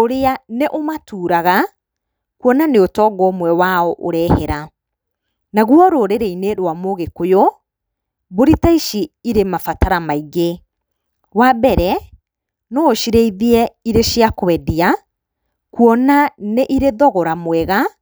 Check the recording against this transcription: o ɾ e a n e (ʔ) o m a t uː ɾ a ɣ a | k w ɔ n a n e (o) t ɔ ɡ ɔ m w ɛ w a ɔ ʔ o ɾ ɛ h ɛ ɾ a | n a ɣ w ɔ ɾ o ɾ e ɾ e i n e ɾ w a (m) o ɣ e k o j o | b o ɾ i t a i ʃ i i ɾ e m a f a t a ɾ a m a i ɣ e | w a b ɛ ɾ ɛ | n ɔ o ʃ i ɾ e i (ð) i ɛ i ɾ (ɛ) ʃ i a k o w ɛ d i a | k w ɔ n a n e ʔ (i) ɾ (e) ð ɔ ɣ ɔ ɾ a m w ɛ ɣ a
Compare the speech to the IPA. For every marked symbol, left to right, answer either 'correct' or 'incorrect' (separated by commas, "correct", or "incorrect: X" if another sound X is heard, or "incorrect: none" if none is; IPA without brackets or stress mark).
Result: correct, correct, correct, correct, incorrect: e, correct, correct